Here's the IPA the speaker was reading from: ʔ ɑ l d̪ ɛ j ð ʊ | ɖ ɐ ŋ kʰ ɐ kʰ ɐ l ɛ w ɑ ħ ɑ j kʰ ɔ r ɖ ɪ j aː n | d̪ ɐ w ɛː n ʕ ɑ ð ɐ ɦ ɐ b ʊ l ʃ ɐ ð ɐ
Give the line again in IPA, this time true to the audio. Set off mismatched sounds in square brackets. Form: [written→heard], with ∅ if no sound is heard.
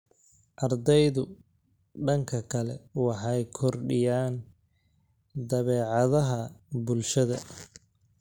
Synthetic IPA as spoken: ʔ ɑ [l→r] d̪ ɛ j ð ʊ | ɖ ɐ ŋ kʰ ɐ kʰ ɐ l ɛ w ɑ ħ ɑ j kʰ ɔ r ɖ ɪ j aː n | d̪ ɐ [w→β] ɛː [n→∅] ʕ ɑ ð ɐ ɦ ɐ b ʊ l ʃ ɐ ð ɐ